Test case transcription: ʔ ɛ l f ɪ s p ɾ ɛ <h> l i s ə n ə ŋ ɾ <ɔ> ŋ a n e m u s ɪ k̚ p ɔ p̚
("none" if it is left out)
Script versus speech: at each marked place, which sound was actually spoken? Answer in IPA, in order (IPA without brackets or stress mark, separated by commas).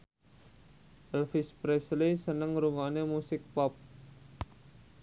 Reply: s, u